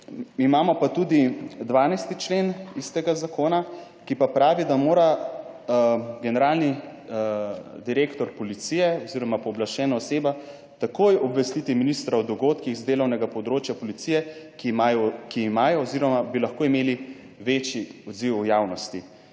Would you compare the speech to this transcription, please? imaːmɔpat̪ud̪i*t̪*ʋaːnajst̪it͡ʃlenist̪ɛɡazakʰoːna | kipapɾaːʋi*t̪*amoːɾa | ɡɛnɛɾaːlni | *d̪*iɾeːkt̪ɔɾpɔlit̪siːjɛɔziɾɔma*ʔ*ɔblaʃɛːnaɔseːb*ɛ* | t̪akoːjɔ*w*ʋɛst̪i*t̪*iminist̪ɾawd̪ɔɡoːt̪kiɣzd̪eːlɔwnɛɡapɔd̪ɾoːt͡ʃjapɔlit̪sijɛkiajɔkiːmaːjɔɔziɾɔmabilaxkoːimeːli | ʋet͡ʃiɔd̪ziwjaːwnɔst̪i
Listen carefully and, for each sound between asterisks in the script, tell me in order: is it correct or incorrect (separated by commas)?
incorrect, incorrect, correct, incorrect, incorrect, incorrect, correct